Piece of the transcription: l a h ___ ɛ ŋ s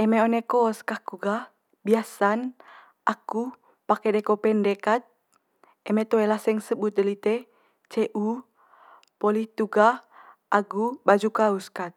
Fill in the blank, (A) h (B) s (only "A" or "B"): B